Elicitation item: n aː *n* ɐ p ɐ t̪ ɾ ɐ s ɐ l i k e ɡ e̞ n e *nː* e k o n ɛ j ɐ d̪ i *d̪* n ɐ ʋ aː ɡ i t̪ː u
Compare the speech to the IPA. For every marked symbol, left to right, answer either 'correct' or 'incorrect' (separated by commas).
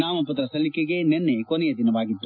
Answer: incorrect, correct, incorrect